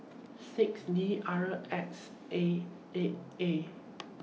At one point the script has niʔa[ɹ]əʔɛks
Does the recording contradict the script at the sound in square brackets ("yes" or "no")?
no